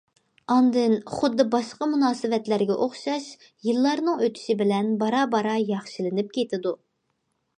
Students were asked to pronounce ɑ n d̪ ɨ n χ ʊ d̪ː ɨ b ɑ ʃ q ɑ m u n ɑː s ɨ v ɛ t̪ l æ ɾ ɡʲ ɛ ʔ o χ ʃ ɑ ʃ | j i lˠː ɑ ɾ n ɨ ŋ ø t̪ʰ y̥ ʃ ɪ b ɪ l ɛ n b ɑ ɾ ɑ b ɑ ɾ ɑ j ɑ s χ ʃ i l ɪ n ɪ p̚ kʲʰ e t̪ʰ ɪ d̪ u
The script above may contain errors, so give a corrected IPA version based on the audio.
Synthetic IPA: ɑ n d̪ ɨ n χ ʊ d̪ː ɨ b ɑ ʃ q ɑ m u n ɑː s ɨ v ɛ t̪ l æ ɾ ɡʲ ɛ ʔ o χ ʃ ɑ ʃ | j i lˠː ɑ ɾ n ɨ ŋ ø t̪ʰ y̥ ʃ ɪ b ɪ l ɛ n b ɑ ɾ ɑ b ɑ ɾ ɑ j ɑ χ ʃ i l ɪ n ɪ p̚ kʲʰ e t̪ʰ ɪ d̪ u